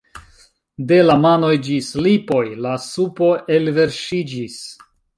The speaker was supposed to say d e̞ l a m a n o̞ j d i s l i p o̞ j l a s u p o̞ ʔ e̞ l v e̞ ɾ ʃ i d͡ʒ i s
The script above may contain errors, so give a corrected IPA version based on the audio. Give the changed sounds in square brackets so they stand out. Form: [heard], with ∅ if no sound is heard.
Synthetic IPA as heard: d e̞ l a m a n o̞ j [d͡ʒ] i s l i p o̞ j l a s u p o̞ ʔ e̞ l v e̞ ɾ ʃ i d͡ʒ i s